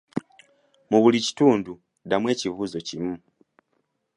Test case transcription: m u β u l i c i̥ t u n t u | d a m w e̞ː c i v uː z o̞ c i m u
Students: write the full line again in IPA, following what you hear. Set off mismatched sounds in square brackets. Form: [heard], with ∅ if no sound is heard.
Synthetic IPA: m u β u l i c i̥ t [uː] n [d] u | d a m w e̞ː c i v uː z o̞ c i m u